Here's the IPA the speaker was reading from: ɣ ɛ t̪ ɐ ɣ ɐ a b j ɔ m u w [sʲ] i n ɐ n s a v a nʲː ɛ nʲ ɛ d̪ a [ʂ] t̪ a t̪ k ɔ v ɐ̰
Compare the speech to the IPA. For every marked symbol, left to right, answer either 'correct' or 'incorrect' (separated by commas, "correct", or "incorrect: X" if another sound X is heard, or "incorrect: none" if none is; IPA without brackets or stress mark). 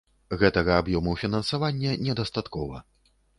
incorrect: fʲ, incorrect: s